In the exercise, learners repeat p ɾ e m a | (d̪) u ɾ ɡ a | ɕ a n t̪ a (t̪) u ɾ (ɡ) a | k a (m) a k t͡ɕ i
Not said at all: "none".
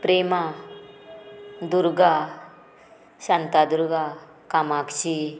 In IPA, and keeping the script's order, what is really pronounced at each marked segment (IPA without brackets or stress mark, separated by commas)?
d̪, d̪, ɡ, m